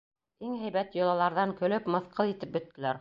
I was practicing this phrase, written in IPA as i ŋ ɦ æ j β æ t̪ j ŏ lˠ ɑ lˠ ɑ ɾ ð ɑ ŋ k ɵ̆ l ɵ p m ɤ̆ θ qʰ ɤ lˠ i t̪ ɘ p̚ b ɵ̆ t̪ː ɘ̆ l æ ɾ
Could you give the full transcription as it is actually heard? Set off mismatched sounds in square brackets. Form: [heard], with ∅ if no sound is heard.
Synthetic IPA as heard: i ŋ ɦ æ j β æ t̪ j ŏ lˠ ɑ lˠ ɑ ɾ ð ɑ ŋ k ɵ̆ l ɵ p m ɤ̆ θ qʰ ɤ lˠ i t̪ ɘ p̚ b ɵ̆ t̪ː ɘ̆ l æ ɾ